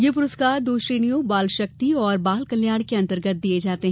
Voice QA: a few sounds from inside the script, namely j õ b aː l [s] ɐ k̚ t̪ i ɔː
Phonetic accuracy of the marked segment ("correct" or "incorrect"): incorrect